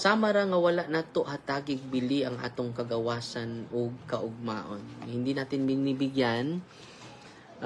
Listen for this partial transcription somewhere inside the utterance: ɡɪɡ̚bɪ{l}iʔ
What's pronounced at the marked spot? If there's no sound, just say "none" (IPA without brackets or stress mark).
l